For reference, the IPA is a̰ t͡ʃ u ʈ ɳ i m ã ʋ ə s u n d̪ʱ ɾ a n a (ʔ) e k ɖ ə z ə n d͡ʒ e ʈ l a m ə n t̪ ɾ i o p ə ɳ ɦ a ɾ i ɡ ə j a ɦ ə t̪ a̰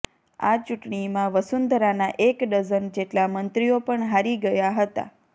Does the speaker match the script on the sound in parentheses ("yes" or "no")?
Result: yes